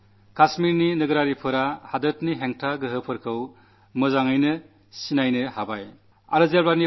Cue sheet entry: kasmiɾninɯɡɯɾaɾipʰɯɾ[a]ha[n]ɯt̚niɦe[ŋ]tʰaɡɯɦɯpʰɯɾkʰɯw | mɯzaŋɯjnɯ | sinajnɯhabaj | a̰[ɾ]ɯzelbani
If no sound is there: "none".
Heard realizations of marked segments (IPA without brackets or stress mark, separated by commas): a, d, ŋ, ɾ